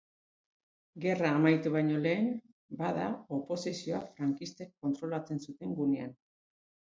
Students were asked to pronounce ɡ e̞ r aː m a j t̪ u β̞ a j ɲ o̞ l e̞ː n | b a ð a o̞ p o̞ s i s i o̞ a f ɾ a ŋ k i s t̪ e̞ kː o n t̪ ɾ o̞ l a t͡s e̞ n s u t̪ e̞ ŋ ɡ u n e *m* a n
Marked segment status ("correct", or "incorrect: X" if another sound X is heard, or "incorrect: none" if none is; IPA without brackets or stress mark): incorrect: none